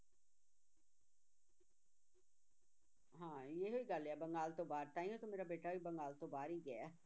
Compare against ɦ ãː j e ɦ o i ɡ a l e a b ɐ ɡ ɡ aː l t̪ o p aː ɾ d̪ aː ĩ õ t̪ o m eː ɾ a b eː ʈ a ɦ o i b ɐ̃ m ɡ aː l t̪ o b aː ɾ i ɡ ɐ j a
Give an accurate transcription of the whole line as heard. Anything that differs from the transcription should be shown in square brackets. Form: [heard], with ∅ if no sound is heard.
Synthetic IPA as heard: ɦ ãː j e ɦ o i ɡ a l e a b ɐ [ŋ] ɡ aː l t̪ o [b] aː ɾ [t̪] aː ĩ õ t̪ o m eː ɾ a b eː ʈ a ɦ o i b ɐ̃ [ŋ] ɡ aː l t̪ o b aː ɾ i ɡ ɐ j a

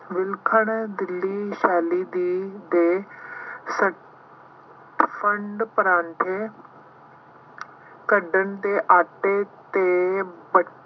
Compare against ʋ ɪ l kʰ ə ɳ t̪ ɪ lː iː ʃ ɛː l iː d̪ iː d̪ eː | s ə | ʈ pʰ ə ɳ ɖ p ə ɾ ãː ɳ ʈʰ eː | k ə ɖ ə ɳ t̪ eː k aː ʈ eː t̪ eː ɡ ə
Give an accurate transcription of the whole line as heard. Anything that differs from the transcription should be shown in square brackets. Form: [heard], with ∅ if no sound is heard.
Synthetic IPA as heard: ʋ ɪ l kʰ ə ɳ [d̪] ɪ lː iː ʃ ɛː l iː d̪ iː d̪ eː | s ə | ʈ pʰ ə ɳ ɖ p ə ɾ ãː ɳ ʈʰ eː | k ə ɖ ə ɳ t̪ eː [ʔ] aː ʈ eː t̪ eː [b] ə

